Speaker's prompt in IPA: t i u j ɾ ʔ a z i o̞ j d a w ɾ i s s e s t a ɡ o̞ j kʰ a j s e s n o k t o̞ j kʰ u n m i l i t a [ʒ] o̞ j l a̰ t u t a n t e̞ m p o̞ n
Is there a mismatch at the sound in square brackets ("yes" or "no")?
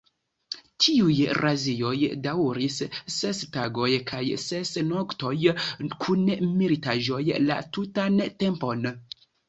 no